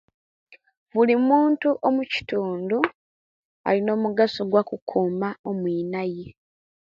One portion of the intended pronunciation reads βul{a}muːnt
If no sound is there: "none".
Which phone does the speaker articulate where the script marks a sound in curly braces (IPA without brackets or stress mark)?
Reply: i